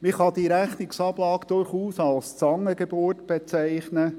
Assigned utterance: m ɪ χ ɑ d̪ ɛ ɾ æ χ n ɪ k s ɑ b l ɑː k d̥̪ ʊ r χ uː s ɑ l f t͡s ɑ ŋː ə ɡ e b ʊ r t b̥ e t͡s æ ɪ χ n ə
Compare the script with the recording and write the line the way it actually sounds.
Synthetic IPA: m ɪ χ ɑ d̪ i ɾ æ χ n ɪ k s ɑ b l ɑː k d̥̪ ʊ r χ uː s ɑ l s t͡s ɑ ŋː ə ɡ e b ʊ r t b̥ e t͡s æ ɪ χ n ə

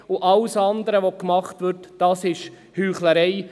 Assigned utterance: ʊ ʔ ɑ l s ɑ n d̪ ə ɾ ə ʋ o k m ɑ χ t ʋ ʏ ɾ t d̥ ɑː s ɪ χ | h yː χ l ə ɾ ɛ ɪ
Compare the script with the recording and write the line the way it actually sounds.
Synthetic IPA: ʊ ʔ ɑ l s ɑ n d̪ ə ɾ ə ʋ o k m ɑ χ t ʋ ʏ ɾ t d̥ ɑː s ɪ ʃ | h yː χ l ə ɾ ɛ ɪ

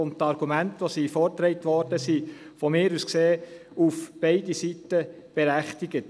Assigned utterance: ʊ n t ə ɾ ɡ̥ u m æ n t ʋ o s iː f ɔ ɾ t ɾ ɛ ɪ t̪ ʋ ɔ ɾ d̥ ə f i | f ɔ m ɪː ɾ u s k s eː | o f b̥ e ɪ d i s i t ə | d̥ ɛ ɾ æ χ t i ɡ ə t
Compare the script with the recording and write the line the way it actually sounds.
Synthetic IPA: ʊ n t ɑ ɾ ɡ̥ u m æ n t ʋ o s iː f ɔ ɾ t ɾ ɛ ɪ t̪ ʋ ɔ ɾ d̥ ə s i | f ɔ m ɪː ɾ u s k s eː | u f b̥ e ɪ d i s i t ə | b̥ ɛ ɾ æ χ t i ɡ ə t

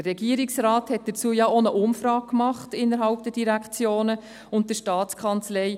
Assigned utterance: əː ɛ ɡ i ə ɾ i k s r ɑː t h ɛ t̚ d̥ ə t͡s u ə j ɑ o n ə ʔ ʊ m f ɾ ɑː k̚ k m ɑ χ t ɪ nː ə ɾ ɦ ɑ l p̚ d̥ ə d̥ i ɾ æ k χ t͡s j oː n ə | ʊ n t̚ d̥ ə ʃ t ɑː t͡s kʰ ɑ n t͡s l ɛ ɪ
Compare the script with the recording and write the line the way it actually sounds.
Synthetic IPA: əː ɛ ɡ i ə ɾ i k s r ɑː t h ɛ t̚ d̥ ə t͡s u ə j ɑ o n ə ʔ ʊ m f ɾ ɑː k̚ k m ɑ χ t ɪ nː ə ɾ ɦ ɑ l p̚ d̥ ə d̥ i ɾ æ k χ t͡s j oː n ə | ʊ n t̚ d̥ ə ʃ t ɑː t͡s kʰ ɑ n t͡s l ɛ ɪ

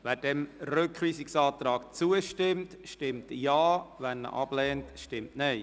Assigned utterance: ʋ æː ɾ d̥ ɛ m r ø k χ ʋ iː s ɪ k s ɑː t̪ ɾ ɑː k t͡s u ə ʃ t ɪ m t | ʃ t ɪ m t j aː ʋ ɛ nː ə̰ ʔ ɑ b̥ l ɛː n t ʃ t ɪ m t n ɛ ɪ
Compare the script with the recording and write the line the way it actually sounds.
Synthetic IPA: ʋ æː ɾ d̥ ɛ m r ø k χ ʋ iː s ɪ k s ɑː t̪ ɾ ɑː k t͡s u ə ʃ t ɪ m t | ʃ t ɪ m t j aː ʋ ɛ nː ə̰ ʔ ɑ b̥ l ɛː n t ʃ t ɪ m t n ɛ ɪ

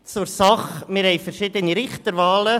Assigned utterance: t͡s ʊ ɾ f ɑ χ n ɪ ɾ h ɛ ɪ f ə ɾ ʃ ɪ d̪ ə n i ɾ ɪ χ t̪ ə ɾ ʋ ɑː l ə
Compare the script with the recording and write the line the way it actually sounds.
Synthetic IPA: t͡s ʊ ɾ s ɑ χ m ɪ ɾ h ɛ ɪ f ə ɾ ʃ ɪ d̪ ə n i ɾ ɪ χ t̪ ə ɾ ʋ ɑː l ə

